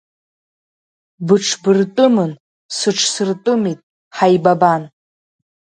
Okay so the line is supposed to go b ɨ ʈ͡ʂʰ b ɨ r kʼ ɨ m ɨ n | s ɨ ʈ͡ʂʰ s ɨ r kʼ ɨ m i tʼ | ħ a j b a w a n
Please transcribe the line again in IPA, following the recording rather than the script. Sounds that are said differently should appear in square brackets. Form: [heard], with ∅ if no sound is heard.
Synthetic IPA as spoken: b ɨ ʈ͡ʂʰ b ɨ r [tʼ] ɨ m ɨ n | s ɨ ʈ͡ʂʰ s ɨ r [tʼ] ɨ m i tʼ | ħ a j b a [b] a n